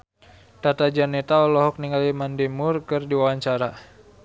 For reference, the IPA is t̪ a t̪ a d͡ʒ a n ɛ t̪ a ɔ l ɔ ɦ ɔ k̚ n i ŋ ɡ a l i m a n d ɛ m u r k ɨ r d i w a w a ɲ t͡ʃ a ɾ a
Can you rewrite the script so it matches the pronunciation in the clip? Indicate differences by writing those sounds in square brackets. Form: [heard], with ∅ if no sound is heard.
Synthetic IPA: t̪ a t̪ a d͡ʒ a n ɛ t̪ a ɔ l ɔ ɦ ɔ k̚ n i ŋ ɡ a l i m a n d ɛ m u r k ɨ r d i w a w a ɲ t͡ʃ a ɾ a